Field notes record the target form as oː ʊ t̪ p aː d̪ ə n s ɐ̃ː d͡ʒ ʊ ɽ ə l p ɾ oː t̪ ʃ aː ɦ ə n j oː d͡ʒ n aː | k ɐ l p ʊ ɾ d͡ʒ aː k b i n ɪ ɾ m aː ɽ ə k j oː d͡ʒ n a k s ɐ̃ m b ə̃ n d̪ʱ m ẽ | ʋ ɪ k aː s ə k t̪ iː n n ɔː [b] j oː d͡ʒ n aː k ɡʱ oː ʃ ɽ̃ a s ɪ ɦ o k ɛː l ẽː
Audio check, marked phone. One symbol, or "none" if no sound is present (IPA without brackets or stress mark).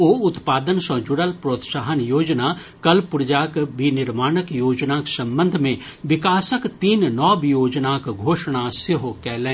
b